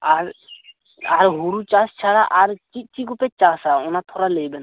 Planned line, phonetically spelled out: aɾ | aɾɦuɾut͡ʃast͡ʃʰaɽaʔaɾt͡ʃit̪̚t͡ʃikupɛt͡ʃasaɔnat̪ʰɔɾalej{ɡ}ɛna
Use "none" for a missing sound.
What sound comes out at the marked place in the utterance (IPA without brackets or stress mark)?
b